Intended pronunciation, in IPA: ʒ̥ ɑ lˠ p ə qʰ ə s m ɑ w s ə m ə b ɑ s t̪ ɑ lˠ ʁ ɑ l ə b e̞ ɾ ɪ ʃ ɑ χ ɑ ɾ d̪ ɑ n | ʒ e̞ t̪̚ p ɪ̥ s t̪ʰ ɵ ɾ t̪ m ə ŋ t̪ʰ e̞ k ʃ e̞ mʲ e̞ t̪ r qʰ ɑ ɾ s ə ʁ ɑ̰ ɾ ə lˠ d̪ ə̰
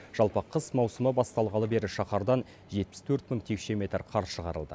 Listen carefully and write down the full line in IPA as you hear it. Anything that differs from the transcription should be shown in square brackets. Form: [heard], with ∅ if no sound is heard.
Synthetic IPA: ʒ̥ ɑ lˠ p ə qʰ ə s m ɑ w s ə m ə b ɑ s t̪ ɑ lˠ ʁ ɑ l ə b e̞ ɾ ɪ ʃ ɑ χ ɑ ɾ d̪ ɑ n | ʒ e̞ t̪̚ p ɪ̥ s t̪ʰ ɵ ɾ t̪ m ə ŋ t̪ʰ e̞ k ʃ e̞ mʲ e̞ t̪ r qʰ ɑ ɾ [ʃ] ə ʁ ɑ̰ ɾ ə lˠ d̪ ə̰